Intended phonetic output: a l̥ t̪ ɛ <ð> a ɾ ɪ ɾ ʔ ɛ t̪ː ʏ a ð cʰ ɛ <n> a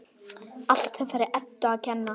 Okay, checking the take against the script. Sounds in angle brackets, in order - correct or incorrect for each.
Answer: incorrect: θ, incorrect: nː

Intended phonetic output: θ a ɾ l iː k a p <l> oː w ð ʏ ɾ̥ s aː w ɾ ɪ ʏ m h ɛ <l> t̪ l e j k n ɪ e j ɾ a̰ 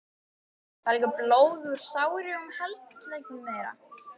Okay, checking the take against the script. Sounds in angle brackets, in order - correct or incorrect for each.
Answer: correct, correct

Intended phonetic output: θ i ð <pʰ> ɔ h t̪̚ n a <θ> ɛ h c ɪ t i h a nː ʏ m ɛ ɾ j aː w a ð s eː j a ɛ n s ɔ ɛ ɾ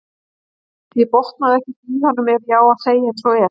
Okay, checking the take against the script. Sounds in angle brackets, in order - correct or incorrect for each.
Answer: incorrect: p, incorrect: ð

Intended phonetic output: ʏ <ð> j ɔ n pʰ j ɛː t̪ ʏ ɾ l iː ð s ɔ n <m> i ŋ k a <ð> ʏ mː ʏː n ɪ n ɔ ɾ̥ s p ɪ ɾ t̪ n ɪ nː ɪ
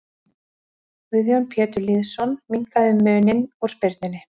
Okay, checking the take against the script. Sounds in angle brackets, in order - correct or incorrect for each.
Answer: correct, correct, correct

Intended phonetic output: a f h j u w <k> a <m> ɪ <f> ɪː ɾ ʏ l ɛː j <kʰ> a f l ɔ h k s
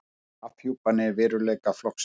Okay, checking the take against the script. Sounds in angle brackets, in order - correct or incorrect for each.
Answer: incorrect: p, incorrect: n, incorrect: v, incorrect: k

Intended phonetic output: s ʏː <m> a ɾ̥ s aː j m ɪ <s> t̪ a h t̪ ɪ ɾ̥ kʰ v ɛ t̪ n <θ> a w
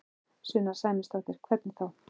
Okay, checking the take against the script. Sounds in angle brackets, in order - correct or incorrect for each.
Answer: incorrect: n, correct, correct

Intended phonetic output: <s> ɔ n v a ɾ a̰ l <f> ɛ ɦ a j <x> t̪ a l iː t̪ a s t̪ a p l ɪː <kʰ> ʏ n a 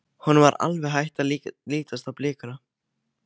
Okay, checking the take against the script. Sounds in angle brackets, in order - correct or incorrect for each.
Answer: incorrect: h, incorrect: v, incorrect: h, incorrect: k

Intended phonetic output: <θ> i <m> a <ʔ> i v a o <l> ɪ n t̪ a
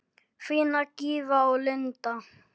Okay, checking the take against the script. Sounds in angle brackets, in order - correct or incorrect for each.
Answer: incorrect: f, incorrect: n, incorrect: k, correct

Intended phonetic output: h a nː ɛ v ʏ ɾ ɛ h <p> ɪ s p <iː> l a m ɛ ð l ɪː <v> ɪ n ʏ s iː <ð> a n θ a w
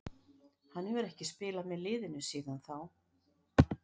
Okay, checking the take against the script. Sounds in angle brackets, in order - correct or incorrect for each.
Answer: incorrect: c, incorrect: ɪː, incorrect: ð, correct

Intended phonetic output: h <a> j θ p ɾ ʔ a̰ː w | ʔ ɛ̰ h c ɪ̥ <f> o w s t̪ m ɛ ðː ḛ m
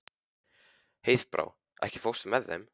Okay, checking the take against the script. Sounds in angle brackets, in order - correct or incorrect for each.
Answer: incorrect: e, correct

